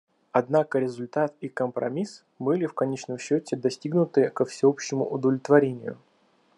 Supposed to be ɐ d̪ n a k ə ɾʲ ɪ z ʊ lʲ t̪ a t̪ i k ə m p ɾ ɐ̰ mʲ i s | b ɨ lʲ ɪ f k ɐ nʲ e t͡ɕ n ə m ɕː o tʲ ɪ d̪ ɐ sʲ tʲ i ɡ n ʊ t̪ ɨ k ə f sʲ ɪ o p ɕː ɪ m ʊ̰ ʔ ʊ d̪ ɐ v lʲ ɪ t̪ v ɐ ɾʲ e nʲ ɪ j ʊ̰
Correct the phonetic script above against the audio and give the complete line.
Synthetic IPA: ɐ d̪ n a k ə ɾʲ ɪ z ʊ lʲ t̪ a t̪ i k ə m p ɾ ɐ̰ mʲ i s | b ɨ lʲ ɪ f k ɐ nʲ e t͡ɕ n ə m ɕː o tʲ ɪ d̪ ɐ sʲ tʲ i ɡ n ʊ t̪ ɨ k ə f sʲ ɪ o p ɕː ɪ m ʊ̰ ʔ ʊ d̪ ə v lʲ ɪ t̪ v ɐ ɾʲ e nʲ ɪ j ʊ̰